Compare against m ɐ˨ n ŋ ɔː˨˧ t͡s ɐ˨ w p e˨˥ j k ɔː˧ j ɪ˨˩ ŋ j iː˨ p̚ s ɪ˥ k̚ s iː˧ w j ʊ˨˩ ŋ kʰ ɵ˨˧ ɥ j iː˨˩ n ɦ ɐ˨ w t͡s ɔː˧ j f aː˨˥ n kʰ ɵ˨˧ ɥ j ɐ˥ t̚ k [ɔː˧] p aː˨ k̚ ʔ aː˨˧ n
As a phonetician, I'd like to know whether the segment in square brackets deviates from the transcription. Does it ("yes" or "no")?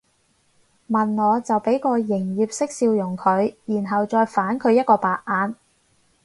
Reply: no